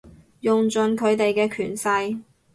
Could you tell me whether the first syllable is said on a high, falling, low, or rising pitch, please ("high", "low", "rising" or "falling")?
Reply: low